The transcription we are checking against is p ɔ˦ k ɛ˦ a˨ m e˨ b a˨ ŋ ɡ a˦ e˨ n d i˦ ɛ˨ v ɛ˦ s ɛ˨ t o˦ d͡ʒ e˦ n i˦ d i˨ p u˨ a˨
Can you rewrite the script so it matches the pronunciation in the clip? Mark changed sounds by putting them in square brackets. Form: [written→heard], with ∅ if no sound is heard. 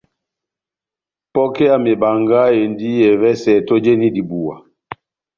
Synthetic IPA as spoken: p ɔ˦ k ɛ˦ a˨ m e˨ b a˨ ŋ ɡ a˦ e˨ n d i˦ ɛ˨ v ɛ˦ s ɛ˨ t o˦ d͡ʒ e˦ n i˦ d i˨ [p→b] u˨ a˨